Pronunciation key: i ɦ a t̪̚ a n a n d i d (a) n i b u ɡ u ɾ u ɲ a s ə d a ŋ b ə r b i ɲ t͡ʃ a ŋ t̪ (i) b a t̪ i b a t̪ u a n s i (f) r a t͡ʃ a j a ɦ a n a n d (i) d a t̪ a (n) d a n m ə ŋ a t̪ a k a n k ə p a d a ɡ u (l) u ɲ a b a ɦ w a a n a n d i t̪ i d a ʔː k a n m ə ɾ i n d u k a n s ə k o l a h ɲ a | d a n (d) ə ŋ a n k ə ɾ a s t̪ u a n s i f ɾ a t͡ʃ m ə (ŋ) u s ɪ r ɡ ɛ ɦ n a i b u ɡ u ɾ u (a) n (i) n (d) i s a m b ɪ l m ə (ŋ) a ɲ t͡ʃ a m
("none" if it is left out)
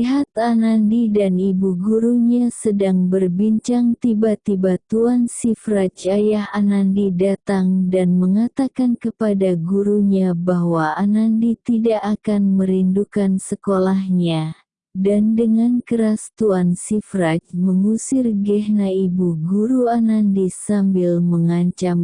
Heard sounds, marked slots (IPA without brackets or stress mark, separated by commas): a, i, f, i, ŋ, ɾ, d, ŋ, a, a, d, ŋ